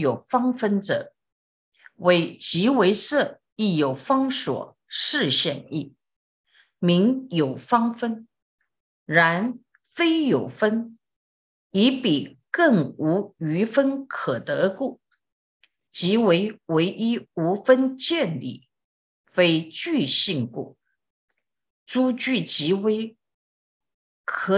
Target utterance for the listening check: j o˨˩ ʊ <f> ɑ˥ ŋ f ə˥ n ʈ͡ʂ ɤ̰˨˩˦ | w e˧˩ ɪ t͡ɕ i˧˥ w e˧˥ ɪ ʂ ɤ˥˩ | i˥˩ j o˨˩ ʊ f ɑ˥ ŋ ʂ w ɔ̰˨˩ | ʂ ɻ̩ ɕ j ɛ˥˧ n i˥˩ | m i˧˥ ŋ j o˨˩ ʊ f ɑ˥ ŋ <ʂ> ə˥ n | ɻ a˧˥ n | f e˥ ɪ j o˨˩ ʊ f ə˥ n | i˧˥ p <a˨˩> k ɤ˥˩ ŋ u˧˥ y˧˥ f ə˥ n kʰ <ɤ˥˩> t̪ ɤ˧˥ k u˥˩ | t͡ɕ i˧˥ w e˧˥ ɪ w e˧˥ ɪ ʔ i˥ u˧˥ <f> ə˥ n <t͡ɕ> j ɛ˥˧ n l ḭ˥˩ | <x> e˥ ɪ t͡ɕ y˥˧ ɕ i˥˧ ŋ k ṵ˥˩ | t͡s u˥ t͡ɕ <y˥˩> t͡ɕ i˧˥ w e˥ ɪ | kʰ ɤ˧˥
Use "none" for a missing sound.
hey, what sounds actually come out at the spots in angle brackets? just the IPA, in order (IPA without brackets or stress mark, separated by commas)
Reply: f, f, i˨˩, ɤ˨˩, f, t͡ɕ, f, y˥˩